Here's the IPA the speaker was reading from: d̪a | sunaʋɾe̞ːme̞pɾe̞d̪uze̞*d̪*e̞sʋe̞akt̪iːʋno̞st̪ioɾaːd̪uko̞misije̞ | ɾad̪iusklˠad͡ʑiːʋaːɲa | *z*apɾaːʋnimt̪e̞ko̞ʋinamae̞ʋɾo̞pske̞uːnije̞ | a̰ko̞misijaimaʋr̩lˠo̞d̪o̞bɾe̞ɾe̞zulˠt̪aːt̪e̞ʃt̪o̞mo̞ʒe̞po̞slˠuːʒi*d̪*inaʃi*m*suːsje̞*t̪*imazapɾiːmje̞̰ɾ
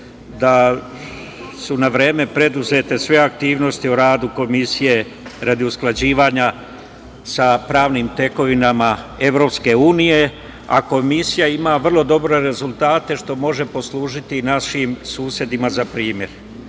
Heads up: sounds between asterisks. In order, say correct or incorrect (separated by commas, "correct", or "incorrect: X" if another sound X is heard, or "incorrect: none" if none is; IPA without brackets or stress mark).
incorrect: t̪, incorrect: s, incorrect: t̪, correct, incorrect: d̪